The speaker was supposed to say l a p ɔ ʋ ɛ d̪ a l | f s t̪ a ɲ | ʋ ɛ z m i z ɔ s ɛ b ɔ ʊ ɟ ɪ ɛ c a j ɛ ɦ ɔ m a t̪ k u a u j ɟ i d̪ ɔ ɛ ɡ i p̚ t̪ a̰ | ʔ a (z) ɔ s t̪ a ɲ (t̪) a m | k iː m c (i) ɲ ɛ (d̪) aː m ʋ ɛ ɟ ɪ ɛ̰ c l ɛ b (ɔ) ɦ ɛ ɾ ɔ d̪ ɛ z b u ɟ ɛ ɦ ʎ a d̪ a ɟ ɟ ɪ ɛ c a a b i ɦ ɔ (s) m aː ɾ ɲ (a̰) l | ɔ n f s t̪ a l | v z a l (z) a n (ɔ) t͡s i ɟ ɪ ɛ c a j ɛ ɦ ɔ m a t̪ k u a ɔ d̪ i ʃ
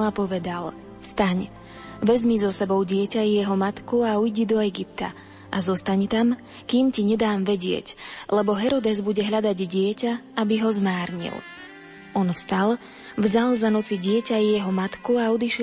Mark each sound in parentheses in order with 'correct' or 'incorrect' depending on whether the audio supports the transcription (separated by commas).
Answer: correct, correct, correct, correct, correct, incorrect, incorrect, correct, correct